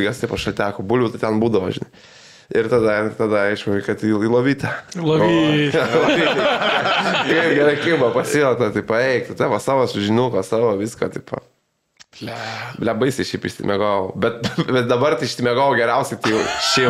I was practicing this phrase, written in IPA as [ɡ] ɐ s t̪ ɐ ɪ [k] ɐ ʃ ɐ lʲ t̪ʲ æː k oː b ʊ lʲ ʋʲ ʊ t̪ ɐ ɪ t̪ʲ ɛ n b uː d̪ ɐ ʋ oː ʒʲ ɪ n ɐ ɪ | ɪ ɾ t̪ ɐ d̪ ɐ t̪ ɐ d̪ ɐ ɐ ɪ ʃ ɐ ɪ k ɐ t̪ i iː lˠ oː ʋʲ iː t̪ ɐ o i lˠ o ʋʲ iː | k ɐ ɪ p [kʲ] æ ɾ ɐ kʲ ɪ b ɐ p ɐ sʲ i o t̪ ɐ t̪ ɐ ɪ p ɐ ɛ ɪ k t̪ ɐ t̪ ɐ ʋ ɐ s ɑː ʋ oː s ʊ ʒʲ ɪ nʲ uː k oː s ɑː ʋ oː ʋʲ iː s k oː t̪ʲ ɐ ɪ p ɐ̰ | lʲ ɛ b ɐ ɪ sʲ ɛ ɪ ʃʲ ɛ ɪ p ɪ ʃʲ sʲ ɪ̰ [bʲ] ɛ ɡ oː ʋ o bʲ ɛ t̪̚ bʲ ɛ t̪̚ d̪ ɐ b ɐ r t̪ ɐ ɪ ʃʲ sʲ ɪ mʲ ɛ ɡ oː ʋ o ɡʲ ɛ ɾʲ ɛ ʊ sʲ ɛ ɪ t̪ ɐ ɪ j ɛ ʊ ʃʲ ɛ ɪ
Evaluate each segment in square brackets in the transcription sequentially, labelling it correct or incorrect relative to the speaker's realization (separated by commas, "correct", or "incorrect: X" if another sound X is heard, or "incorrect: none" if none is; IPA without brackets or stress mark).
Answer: correct, incorrect: p, incorrect: ɡʲ, incorrect: mʲ